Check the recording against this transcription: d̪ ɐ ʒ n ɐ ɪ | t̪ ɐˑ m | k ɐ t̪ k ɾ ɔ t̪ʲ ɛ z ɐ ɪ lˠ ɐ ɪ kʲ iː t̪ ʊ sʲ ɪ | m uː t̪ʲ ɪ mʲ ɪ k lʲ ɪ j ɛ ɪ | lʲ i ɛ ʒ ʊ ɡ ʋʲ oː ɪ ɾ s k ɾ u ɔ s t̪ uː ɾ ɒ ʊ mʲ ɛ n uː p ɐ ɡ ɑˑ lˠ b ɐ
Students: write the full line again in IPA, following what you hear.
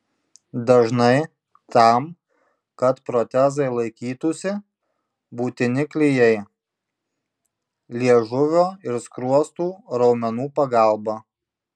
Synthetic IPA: d̪ ɐ ʒ n ɐ ɪ | t̪ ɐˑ m | k ɐ t̪ p ɾ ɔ t̪ʲ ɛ z ɐ ɪ lˠ ɐ ɪ kʲ iː t̪ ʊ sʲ ɪ | b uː t̪ʲ ɪ nʲ ɪ k lʲ ɪ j ɛ ɪ | lʲ i ɛ ʒ ʊ ʋʲ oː ɪ ɾ s k ɾ u ɔ s t̪ uː ɾ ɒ ʊ mʲ ɛ n uː p ɐ ɡ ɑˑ lˠ b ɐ

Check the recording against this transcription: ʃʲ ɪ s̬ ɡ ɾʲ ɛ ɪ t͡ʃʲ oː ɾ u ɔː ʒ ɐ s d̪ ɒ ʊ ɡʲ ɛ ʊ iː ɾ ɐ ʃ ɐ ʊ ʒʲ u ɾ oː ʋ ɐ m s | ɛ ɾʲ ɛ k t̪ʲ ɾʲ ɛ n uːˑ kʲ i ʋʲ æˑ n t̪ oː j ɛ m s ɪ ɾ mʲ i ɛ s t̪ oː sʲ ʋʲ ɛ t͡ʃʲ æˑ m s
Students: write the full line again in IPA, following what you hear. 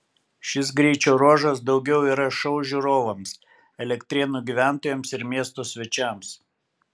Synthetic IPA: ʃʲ ɪ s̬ ɡ ɾʲ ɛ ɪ t͡ʃʲ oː ɾ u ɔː ʒ ɐ s d̪ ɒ ʊ ɡʲ ɛ ʊ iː ɾ ɐ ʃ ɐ ʊ ʒʲ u ɾ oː ʋ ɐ m s | ɛ lʲ ɛ k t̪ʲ ɾʲ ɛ n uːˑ ɡʲ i ʋʲ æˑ n t̪ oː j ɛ m s ɪ ɾ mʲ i ɛ s t̪ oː sʲ ʋʲ ɛ t͡ʃʲ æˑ m s

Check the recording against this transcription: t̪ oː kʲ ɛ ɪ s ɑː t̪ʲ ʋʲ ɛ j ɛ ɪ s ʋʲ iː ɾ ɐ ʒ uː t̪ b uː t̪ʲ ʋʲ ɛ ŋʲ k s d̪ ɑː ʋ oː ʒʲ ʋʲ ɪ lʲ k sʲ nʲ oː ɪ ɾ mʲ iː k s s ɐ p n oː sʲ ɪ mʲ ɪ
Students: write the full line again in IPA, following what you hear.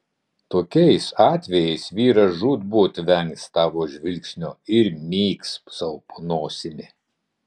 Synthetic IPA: t̪ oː kʲ ɛ ɪ s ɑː t̪ʲ ʋʲ ɛ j ɛ ɪ s ʋʲ iː ɾ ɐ ʒ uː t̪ b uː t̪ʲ ʋʲ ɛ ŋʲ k s t̪ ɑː ʋ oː ʒʲ ʋʲ ɪ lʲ k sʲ nʲ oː ɪ ɾ mʲ iː k s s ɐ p n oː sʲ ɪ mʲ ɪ

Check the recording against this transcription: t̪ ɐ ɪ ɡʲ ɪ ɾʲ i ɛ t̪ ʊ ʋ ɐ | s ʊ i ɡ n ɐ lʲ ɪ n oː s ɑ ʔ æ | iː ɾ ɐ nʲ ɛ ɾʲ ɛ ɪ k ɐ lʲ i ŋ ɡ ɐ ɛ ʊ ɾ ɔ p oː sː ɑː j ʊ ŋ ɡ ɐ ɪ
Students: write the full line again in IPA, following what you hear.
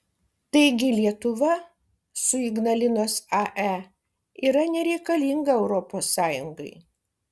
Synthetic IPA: t̪ ɐ ɪ ɡʲ ɪ lʲ i ɛ t̪ ʊ ʋ ɐ | s ʊ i ɡ n ɐ lʲ ɪ n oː s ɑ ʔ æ | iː ɾ ɐ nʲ ɛ ɾʲ ɛ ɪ k ɐ lʲ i ŋ ɡ ɐ ɛ ʊ ɾ ɔ p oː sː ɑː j ʊ ŋ ɡ ɐ ɪ

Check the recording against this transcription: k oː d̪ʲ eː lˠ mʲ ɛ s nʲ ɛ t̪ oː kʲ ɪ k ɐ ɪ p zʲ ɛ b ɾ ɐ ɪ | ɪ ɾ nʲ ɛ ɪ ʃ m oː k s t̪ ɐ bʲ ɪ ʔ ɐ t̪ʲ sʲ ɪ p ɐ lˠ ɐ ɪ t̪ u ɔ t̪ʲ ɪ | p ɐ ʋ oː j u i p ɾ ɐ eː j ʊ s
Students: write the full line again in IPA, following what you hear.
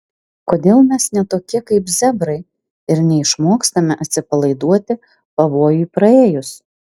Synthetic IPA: k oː d̪ʲ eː lˠ mʲ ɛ s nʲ ɛ t̪ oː kʲ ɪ k ɐ ɪ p zʲ ɛ b ɾ ɐ ɪ | ɪ ɾ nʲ ɛ ɪ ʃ m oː k s t̪ ɐ mʲ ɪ ʔ ɐ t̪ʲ sʲ ɪ p ɐ lˠ ɐ ɪ d̪ u ɔ t̪ʲ ɪ | p ɐ ʋ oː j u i p ɾ ɐ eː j ʊ s

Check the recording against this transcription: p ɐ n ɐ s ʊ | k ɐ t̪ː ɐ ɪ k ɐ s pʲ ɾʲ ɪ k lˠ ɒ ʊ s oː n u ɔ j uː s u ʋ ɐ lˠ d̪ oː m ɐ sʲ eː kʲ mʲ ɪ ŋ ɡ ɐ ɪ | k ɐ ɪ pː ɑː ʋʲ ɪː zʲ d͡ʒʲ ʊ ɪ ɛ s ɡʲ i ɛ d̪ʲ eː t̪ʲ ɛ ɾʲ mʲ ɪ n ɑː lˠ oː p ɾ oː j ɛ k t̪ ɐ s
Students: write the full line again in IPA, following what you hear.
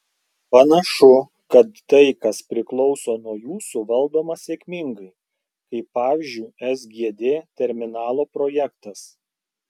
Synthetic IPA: p ɐ n ɐ ʃ ʊ | k ɐ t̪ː ɐ ɪ k ɐ s pʲ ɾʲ ɪ k lˠ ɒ ʊ s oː n u ɔ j uː s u ʋ ɐ lˠ d̪ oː m ɐ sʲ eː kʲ mʲ ɪ ŋ ɡ ɐ ɪ | k ɐ ɪ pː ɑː ʋʲ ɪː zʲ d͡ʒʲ ʊ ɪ ɛ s ɡʲ i ɛ d̪ʲ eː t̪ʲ ɛ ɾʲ mʲ ɪ n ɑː lˠ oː p ɾ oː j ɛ k t̪ ɐ s

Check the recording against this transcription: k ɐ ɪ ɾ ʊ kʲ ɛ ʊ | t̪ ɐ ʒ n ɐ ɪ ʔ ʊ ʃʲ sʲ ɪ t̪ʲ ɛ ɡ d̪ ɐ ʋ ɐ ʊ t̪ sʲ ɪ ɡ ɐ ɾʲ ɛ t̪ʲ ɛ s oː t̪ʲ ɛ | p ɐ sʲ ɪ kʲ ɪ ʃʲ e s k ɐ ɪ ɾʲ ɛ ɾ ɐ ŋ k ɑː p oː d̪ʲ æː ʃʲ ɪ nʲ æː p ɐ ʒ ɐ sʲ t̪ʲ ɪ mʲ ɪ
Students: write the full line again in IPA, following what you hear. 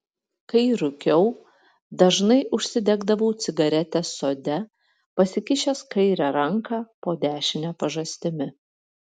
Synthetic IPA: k ɐ ɪ ɾ ʊ kʲ ɛ ʊ | d̪ ɐ ʒ n ɐ ɪ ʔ ʊ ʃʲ sʲ ɪ d̪ʲ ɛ ɡ d̪ ɐ ʋ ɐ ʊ t̪ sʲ ɪ ɡ ɐ ɾʲ ɛ t̪ʲ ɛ s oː d̪ʲ ɛ | p ɐ sʲ ɪ kʲ ɪ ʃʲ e s k ɐ ɪ ɾʲ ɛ ɾ ɐ ŋ k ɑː p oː d̪ʲ æː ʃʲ ɪ nʲ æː p ɐ ʒ ɐ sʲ t̪ʲ ɪ mʲ ɪ

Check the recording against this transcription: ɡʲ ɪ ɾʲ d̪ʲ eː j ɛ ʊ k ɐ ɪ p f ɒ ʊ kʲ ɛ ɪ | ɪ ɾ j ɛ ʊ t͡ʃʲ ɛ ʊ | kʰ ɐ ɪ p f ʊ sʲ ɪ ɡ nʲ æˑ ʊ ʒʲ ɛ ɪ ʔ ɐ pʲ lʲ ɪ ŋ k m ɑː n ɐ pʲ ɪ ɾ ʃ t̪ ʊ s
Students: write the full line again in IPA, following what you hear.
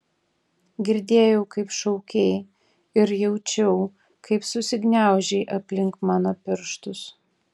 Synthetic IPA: ɡʲ ɪ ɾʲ d̪ʲ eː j ɛ ʊ k ɐ ɪ p ʃ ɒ ʊ kʲ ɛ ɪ | ɪ ɾ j ɛ ʊ t͡ʃʲ ɛ ʊ | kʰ ɐ ɪ p s ʊ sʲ ɪ ɡ nʲ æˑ ʊ ʒʲ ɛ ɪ ʔ ɐ pʲ lʲ ɪ ŋ k m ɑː n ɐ pʲ ɪ ɾ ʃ t̪ ʊ s

